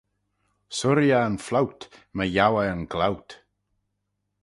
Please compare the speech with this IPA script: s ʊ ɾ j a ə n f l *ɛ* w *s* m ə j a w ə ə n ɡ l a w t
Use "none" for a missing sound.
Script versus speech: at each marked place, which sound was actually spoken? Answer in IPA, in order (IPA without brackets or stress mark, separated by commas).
a, t